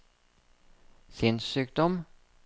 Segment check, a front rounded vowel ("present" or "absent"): present